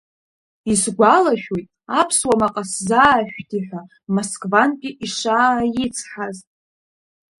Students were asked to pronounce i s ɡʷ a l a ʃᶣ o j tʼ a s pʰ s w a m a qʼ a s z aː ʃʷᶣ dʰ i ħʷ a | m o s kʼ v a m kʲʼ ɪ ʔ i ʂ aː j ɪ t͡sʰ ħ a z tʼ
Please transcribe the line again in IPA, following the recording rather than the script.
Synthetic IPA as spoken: i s ɡʷ a l a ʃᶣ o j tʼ a pʰ s w a m a qʼ a s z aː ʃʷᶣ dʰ i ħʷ a | m o s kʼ v a n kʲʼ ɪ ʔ i ʂ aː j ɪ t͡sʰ ħ a z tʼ

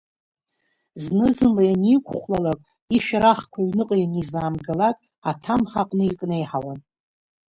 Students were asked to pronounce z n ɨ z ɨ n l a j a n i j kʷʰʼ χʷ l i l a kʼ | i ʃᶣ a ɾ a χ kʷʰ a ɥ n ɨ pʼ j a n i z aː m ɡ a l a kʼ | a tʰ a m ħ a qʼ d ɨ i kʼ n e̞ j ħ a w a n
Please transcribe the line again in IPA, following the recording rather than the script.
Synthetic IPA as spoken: z n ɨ z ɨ n l a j a n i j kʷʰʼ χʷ l a l a kʼ | i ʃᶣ a ɾ a χ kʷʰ a ɥ n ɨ qʼ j a n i z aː m ɡ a l a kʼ | a tʰ a m ħ a qʼ n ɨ i kʼ n e̞ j ħ a w a n

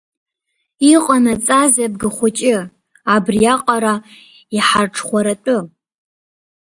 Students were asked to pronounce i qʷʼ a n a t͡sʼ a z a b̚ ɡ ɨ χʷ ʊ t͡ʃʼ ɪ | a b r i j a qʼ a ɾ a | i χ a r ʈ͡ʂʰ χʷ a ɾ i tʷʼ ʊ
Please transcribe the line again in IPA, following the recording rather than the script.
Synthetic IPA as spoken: i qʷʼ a n a t͡sʼ a z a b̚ ɡ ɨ χʷ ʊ t͡ʃʼ ɪ | a b r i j a qʼ a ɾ a | i ħ a r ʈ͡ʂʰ χʷ a ɾ a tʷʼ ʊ

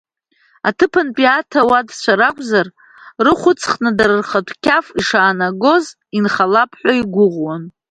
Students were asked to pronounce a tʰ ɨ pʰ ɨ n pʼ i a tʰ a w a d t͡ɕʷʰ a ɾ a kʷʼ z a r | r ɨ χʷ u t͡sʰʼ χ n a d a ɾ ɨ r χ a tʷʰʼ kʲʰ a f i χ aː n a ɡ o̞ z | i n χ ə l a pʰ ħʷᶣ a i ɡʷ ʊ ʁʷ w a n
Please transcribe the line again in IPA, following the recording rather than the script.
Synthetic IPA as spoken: a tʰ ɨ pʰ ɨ n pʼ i a tʰ a w a d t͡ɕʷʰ a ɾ a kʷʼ z a r | r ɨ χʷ ʊ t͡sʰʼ χ n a d a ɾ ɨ r χ a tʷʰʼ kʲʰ a f i ʂ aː n a ɡ o̞ z | i n χ a l a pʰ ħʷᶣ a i ɡʷ ʊ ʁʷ w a n

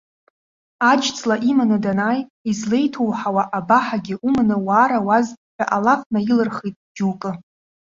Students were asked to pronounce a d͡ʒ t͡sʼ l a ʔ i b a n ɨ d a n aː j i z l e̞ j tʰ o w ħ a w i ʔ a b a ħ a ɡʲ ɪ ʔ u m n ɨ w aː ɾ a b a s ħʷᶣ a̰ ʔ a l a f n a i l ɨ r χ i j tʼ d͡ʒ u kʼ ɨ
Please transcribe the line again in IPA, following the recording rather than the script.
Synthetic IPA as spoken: a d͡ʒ t͡sʼ l a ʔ i m a n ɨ d a n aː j i z l e̞ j tʰ o w ħ a w a ʔ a b a ħ a ɡʲ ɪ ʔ u m n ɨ w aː ɾ a w a z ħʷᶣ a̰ ʔ a l a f n a i l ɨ r χ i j tʼ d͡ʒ u kʼ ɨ

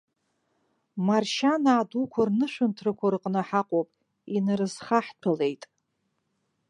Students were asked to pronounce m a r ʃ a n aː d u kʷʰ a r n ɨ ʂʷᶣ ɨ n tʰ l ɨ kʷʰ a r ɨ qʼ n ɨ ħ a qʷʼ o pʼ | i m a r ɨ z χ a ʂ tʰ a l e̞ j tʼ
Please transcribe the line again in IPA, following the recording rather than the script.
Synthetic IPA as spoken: m a r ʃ a n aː d u kʷʰ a r n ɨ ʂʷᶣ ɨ n tʰ r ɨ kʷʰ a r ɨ qʼ n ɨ ħ a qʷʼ o pʼ | i n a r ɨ z χ a ħ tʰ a l e̞ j tʼ

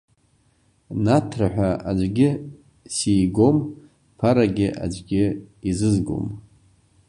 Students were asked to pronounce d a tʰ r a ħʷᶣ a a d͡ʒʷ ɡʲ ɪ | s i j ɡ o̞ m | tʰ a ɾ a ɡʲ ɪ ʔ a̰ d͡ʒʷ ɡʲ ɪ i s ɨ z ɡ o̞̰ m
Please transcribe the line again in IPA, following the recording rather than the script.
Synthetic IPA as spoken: n a tʰ r a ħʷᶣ a a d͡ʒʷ ɡʲ ɪ | s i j ɡ o̞ m | pʰ a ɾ a ɡʲ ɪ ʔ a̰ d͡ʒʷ ɡʲ ɪ i z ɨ z ɡ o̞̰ m

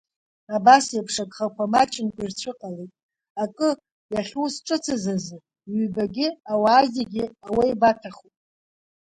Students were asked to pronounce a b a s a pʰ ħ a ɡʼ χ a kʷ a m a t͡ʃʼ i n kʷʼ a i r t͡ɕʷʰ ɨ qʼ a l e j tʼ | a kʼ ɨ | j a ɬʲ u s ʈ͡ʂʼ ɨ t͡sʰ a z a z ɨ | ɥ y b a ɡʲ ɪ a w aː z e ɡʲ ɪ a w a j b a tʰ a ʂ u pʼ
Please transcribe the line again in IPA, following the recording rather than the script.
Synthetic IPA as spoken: a b a s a pʰ ʂ a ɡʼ χ a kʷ a m a t͡ʃʼ ɪ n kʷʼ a i r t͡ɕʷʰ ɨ qʼ a l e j tʼ | a kʼ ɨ | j a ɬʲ u s ʈ͡ʂʼ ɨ t͡sʰ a z a z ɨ | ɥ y b a ɡʲ ɪ a w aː z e ɡʲ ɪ a w a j b a tʰ a χ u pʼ

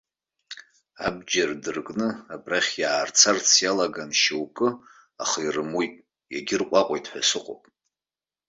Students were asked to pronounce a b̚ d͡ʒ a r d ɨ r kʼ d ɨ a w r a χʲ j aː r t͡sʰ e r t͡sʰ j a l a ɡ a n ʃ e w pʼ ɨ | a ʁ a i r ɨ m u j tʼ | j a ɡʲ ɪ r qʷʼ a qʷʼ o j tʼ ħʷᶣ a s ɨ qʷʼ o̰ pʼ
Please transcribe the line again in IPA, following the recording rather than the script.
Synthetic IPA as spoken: a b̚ d͡ʒ a r d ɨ r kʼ n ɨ a b r a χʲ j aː r t͡sʰ a r t͡sʰ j a l a ɡ a n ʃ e w kʼ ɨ | a χ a i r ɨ m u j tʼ | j a ɡʲ ɪ r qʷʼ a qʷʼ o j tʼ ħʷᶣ a s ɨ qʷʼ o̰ pʼ

